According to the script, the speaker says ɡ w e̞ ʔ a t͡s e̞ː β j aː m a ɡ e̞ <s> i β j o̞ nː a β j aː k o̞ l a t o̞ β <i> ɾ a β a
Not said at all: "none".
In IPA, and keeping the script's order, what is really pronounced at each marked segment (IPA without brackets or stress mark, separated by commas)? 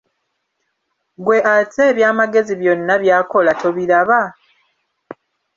z, i